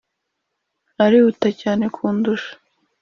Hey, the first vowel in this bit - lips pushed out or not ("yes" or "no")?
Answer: no